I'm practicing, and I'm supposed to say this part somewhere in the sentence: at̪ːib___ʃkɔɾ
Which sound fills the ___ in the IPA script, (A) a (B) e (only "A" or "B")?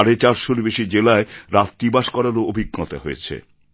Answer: A